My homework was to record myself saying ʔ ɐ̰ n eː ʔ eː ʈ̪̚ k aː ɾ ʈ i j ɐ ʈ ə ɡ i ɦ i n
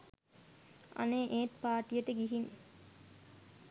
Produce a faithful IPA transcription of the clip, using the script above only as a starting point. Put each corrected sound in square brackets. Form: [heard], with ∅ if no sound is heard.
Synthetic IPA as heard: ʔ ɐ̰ n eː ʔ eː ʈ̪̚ [p] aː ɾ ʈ i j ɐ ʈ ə ɡ i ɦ i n